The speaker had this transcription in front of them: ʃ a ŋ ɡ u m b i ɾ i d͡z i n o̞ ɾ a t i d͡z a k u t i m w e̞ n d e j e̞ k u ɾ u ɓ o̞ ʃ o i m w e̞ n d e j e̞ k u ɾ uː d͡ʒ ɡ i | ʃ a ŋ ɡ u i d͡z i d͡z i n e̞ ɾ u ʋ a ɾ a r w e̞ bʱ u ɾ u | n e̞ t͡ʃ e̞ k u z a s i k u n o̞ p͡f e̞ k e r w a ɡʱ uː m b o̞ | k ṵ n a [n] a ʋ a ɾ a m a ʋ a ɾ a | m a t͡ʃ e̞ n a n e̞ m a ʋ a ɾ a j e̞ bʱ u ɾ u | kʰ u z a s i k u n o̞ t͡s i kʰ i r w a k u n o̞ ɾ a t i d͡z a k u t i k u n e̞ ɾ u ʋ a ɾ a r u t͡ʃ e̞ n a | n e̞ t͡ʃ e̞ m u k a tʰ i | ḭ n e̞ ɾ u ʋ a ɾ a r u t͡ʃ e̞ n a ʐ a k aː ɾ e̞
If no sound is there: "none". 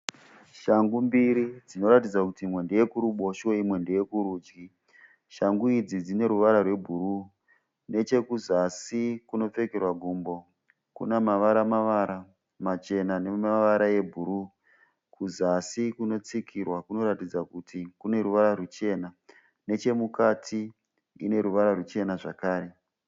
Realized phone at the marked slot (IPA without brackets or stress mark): m